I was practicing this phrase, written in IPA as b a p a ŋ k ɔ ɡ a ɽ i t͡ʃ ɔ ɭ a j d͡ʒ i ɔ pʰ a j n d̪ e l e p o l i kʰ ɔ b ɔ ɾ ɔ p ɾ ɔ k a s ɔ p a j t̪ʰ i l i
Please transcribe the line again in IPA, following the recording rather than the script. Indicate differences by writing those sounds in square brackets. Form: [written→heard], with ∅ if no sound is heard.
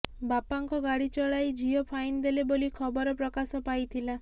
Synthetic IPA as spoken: b a p a ŋ k ɔ ɡ a ɽ i t͡ʃ ɔ ɭ a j d͡ʒ i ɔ pʰ a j n d̪ e l e [p→b] o l i kʰ ɔ b ɔ ɾ ɔ p ɾ ɔ k a s ɔ p a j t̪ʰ i l [i→a]